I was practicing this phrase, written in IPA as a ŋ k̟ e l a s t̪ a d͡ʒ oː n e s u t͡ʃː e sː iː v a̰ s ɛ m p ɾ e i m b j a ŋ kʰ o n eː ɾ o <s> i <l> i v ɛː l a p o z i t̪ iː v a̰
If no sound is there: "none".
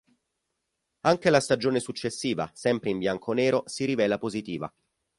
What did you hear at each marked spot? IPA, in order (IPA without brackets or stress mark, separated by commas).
s, ɾ